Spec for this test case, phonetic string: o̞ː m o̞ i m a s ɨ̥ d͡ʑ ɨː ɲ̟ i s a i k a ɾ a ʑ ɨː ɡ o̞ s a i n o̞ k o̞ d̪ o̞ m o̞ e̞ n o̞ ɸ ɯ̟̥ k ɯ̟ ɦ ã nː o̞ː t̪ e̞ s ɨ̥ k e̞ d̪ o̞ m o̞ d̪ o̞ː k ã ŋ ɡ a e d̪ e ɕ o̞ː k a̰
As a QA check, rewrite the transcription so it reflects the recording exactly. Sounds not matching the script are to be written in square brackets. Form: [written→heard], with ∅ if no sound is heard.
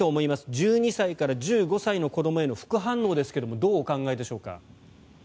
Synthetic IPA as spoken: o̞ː m o̞ i m a s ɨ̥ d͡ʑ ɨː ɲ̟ i s a i k a ɾ a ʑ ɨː ɡ o̞ s a i n o̞ k o̞ d̪ o̞ m o̞ e̞ n o̞ ɸ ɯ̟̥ k ɯ̟ ɦ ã nː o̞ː [t̪→d̪] e̞ s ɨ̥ k e̞ d̪ o̞ m o̞ d̪ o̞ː k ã ŋ ɡ a e d̪ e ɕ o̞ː k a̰